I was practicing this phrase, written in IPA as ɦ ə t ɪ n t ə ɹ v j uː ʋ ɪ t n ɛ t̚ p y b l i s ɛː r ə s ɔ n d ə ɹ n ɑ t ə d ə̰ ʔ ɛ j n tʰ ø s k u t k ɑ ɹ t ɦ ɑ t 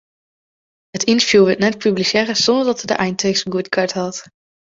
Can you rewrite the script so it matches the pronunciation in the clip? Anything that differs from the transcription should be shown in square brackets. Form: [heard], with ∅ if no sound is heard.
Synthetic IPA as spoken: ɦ ə t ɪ n t ə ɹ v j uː ʋ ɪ t n ɛ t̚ p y b l i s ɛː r ə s ɔ n d ə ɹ [d] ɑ t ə d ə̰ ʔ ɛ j n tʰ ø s [ɡ] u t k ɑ ɹ t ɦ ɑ t